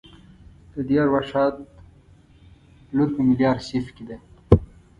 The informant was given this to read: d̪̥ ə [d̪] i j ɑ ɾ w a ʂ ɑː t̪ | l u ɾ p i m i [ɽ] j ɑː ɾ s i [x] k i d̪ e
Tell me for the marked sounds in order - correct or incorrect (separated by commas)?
correct, incorrect, incorrect